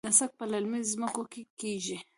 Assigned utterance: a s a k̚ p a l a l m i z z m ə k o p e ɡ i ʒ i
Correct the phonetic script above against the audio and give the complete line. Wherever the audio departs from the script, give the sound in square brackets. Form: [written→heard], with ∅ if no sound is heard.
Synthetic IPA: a s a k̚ p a l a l m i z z m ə k o [p→k] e [ɡ→k] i ʒ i

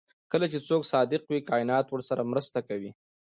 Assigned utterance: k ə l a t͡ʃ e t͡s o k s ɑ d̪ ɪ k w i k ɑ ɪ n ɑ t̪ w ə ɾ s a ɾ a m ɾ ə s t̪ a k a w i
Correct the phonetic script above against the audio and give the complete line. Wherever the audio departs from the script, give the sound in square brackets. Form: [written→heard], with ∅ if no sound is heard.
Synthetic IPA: k ə l a t͡ʃ e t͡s o k s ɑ d̪ ɪ [k→q] w i k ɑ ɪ n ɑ t̪ w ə ɾ s a ɾ a m ɾ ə s t̪ a k a w i

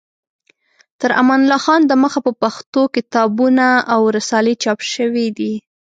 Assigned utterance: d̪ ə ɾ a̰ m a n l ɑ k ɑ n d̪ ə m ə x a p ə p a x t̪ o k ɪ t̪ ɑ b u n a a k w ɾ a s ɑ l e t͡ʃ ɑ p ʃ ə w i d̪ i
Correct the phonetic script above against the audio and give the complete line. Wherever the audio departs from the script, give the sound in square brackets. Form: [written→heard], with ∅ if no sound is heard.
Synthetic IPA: [d̪→t̪] ə ɾ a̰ m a n l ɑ [k→x] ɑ n d̪ ə m ə x a p ə p a x t̪ o k ɪ t̪ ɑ b u n a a [k→∅] w ɾ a s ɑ l e t͡ʃ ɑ p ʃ ə w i d̪ i

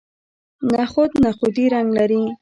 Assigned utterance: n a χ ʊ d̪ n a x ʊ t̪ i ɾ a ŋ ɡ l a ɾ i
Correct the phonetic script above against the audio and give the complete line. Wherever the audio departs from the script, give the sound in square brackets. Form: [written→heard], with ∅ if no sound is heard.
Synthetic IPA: n a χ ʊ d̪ n a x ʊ [t̪→d̪] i ɾ a ŋ ɡ l a ɾ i

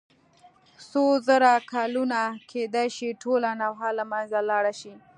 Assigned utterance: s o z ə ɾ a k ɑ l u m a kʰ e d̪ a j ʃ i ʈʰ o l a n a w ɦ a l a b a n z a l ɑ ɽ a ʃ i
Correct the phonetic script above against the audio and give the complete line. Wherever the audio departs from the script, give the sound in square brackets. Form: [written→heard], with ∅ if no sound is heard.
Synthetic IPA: s o z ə ɾ a k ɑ l u [m→n] a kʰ e d̪ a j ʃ i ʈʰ o l a n a w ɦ a l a [b→m] a n z a l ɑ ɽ a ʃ i

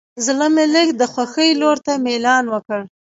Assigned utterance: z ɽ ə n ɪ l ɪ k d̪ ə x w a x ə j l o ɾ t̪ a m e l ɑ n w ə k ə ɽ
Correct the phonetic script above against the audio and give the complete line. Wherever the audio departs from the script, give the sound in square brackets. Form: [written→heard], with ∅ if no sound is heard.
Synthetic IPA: z [ɽ→l] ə [n→m] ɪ l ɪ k d̪ ə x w a x ə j l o ɾ t̪ a m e l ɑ n w ə k ə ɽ

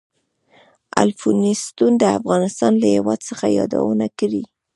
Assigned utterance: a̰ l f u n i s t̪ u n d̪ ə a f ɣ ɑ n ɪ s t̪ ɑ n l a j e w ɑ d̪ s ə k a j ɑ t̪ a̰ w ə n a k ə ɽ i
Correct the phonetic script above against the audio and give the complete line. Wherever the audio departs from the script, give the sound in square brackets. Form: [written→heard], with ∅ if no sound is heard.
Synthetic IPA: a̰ l f u n i s t̪ u n d̪ ə a f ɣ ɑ n ɪ s t̪ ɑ n l a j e w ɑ d̪ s ə [k→x] a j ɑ [t̪→d̪] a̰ w ə n a k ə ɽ i

